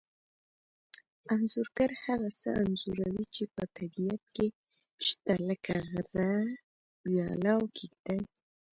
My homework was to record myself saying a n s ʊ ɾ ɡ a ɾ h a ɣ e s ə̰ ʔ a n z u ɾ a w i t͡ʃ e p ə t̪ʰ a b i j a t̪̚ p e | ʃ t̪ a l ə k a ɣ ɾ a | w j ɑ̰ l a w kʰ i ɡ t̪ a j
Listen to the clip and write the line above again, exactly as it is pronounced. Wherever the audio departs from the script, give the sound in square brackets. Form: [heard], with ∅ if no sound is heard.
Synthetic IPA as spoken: a n [z] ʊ ɾ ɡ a ɾ h a ɣ [a] s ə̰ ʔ a n z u ɾ a w i t͡ʃ e p ə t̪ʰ a b i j a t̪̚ [k] e | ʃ t̪ a l ə k a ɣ ɾ a | w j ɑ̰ l a w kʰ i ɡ [d̪] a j